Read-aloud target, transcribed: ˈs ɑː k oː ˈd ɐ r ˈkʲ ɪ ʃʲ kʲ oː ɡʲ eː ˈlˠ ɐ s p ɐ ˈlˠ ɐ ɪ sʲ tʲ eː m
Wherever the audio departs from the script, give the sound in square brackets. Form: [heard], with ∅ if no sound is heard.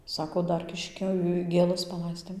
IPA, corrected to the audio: ˈs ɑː k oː ˈd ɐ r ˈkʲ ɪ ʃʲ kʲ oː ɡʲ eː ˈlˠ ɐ s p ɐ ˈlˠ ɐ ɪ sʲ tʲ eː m